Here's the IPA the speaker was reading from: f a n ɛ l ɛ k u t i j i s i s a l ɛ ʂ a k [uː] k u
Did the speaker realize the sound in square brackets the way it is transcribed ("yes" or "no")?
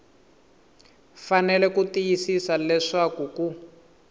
no